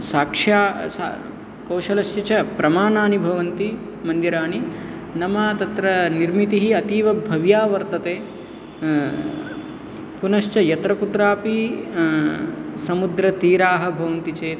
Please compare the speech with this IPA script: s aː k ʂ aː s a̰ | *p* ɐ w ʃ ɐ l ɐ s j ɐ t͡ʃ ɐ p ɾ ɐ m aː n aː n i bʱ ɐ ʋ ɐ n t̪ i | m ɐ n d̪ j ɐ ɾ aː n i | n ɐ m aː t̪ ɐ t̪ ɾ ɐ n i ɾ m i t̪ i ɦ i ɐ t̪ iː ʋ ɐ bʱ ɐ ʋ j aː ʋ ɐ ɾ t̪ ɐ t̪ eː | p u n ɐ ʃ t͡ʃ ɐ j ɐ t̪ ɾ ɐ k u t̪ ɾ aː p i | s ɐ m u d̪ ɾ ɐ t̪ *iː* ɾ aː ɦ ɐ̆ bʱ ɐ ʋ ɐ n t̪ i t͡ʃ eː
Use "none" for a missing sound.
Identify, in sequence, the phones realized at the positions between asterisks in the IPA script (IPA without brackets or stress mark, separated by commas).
k, iː